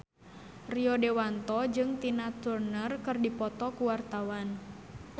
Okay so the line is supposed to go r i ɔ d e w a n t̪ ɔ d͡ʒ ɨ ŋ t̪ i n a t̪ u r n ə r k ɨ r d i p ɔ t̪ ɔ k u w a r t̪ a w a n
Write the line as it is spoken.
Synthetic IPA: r i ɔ d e w a n t̪ ɔ d͡ʒ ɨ ŋ t̪ i n a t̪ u r n ə r k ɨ r d i p ɔ t̪ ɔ k u w a r t̪ a w a n